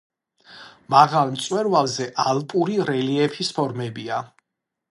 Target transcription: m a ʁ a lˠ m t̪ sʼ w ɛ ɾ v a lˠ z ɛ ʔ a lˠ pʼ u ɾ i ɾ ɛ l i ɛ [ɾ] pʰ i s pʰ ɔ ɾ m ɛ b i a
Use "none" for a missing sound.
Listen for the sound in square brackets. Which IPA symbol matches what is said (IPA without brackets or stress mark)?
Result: none